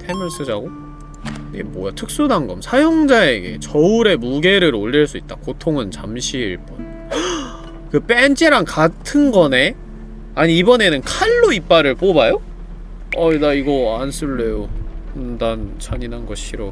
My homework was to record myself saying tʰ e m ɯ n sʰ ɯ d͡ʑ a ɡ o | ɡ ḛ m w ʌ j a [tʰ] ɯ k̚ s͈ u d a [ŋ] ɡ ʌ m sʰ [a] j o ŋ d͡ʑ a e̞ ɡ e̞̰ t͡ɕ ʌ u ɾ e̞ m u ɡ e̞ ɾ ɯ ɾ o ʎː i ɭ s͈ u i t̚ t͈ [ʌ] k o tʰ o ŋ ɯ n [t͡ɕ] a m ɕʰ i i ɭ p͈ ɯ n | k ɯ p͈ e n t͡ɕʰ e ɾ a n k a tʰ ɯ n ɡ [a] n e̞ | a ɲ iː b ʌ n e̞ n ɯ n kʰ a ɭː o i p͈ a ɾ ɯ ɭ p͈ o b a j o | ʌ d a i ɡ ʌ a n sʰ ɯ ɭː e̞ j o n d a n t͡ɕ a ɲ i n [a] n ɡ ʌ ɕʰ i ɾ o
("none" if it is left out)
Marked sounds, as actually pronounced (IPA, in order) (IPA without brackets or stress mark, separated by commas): tʰ, ŋ, a, a, t͡ɕ, ʌ, a